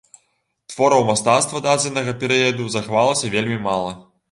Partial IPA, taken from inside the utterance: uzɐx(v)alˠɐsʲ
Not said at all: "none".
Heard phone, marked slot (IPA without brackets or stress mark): v